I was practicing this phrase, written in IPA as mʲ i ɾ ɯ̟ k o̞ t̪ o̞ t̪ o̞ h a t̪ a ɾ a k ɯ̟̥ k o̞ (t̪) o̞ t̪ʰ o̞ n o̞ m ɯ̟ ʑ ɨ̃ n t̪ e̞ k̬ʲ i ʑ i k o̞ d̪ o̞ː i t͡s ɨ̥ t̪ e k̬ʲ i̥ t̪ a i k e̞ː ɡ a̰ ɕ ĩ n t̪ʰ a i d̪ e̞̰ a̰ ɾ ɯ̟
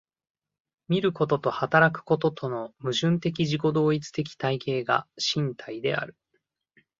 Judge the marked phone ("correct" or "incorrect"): correct